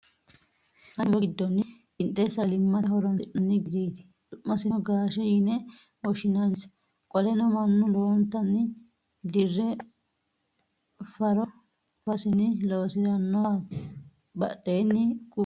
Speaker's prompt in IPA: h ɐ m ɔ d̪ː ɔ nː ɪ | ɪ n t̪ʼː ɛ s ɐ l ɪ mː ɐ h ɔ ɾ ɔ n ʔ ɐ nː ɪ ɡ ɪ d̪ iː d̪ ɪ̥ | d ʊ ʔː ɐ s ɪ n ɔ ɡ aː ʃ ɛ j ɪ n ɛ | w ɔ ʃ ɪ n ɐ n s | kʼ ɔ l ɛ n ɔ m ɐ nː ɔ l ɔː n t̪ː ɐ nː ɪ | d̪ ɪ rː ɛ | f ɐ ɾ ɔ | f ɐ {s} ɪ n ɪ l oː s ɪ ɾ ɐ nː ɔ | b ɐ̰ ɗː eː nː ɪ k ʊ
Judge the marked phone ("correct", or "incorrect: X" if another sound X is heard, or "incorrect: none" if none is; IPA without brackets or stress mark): correct